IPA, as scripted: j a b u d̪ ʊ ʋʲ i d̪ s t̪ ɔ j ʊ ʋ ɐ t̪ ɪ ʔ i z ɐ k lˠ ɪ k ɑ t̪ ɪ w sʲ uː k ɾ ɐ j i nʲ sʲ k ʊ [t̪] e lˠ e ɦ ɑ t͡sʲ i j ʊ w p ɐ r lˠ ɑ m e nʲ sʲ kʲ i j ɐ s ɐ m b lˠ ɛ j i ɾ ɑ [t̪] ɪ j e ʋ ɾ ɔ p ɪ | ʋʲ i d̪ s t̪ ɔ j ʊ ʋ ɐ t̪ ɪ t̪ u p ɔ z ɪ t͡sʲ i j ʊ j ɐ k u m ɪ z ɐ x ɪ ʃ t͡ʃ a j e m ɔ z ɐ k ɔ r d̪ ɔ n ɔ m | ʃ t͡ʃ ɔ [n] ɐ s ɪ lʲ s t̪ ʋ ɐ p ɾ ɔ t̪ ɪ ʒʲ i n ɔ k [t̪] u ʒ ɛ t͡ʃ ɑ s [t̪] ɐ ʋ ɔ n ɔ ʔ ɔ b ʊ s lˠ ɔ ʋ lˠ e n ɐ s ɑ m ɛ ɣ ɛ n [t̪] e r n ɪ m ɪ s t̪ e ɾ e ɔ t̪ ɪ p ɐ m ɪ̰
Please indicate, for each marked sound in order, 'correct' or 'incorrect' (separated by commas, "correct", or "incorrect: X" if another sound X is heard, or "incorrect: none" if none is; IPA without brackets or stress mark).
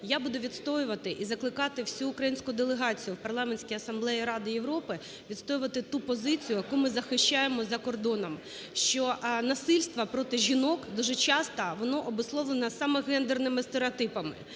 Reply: incorrect: d̪, incorrect: d̪, correct, incorrect: d̪, correct, incorrect: d̪